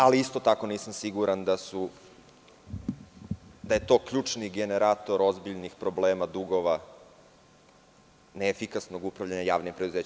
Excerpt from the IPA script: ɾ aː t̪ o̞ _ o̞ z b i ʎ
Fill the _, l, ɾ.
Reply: ɾ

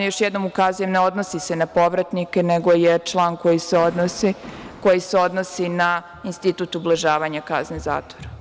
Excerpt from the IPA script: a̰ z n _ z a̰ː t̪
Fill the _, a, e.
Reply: e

